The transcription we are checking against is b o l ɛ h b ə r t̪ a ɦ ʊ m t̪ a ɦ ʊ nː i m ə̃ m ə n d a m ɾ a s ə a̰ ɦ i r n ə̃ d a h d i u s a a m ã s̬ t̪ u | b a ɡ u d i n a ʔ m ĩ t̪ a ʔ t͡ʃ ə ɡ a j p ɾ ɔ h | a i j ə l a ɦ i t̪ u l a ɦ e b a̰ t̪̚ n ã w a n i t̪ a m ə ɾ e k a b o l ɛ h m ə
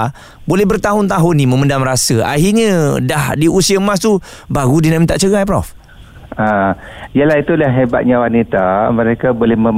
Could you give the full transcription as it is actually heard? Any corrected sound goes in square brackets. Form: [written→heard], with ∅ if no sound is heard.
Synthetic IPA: b o l ɛ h b ə r t̪ a ɦ ʊ [m→n] t̪ a ɦ ʊ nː i m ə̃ m ə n d a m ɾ a s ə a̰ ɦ i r [n→ɲ] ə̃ d a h d i u s [a→i] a m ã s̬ t̪ u | b a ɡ u d i n a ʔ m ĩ t̪ a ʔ t͡ʃ ə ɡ a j p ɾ ɔ [h→f] | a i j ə l a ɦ i t̪ u l a ɦ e b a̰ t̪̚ [n→ɲ] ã w a n i t̪ a m ə ɾ e k a b o l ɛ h m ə